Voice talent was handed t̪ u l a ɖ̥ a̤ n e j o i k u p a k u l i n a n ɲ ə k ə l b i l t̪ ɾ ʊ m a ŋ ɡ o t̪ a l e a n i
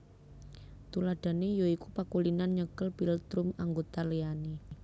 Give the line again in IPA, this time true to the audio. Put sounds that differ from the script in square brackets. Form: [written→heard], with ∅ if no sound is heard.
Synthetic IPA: t̪ u l a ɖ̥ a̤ n e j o i k u p a k u l i n a n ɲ ə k ə l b i l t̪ ɾ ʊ m a ŋ ɡ o t̪ a l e a n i